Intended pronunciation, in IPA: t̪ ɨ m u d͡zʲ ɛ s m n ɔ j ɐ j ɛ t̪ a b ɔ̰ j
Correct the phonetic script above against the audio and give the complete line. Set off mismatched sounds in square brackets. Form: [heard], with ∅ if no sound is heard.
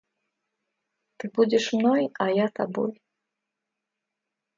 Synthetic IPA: t̪ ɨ [b] u d͡zʲ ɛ [ʂ] m n ɔ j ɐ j [a] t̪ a b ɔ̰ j